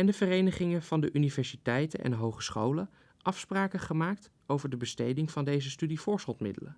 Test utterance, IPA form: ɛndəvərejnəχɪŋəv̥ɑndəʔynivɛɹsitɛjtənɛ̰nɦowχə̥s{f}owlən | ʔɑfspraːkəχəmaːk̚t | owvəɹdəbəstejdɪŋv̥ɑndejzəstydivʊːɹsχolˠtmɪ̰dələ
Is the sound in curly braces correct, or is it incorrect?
incorrect